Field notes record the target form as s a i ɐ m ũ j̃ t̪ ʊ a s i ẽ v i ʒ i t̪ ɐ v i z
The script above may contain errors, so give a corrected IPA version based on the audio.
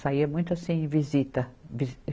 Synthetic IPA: s a i ɐ m ũ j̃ t̪ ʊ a s ĩ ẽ v i z i t̪ ɐ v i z